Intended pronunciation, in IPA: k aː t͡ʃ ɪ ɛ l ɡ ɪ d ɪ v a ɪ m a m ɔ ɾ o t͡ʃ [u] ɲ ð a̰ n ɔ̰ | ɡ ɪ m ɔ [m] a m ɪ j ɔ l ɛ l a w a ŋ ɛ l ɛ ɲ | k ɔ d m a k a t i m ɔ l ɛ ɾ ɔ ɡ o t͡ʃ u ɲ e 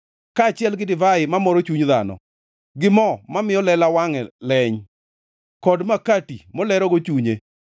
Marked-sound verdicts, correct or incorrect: correct, correct

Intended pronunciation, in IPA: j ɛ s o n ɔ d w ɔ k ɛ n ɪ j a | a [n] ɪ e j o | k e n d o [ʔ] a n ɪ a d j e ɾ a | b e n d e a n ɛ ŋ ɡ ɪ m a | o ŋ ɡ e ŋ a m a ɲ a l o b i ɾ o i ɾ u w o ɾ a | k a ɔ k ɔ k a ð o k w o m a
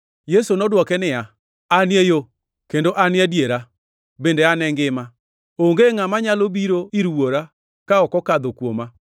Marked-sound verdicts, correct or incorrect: correct, correct

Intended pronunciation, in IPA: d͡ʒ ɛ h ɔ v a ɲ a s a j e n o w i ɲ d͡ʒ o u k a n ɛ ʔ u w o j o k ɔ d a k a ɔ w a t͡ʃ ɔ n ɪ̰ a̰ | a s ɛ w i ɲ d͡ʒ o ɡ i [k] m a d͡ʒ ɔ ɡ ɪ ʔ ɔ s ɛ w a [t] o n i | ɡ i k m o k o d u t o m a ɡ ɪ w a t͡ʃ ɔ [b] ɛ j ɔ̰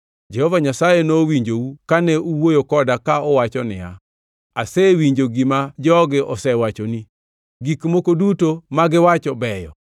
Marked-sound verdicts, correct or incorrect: incorrect, incorrect, correct

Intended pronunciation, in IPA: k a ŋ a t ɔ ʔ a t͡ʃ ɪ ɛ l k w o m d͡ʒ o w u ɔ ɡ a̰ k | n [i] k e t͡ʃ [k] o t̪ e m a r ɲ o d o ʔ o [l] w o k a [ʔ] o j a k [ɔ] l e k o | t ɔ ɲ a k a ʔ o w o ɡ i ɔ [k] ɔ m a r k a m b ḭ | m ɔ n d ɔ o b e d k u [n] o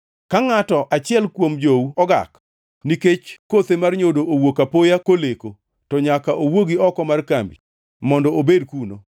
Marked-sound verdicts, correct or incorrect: correct, correct, incorrect, incorrect, incorrect, correct, correct

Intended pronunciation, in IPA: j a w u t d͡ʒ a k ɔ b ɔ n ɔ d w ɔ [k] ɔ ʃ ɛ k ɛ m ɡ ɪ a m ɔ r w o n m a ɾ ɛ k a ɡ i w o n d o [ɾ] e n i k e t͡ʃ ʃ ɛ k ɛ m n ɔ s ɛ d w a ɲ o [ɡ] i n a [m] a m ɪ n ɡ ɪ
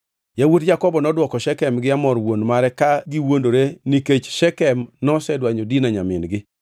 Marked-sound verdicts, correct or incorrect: correct, correct, incorrect, incorrect

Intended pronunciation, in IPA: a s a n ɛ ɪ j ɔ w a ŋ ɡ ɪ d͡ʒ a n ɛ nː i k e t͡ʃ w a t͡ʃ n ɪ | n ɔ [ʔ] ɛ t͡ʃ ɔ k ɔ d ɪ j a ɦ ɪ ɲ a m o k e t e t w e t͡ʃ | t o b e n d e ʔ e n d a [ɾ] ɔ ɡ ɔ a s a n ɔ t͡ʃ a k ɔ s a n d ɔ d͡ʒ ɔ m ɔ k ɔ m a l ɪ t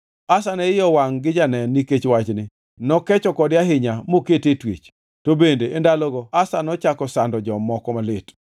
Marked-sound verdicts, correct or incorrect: incorrect, incorrect

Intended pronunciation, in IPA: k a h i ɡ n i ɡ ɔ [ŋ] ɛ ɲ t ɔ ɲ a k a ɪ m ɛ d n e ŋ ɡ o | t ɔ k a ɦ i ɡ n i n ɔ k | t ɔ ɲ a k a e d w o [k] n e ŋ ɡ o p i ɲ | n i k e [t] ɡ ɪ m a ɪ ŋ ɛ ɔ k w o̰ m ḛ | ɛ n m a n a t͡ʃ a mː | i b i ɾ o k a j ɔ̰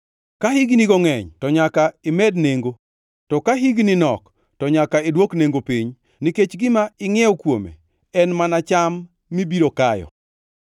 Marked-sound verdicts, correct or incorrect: correct, correct, incorrect

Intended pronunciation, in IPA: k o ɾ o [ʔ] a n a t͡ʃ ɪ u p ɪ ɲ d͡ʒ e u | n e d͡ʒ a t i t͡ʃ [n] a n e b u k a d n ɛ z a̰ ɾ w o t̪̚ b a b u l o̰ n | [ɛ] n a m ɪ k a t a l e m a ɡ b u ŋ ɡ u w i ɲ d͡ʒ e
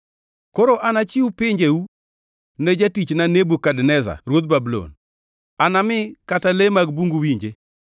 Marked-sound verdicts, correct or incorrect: correct, correct, incorrect

